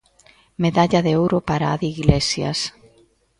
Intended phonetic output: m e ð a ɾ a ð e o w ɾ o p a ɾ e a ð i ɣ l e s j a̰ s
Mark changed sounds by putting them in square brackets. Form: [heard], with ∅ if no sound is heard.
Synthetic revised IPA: m e ð a [ʎ] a ð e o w ɾ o p a ɾ [a] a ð i ɣ l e s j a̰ s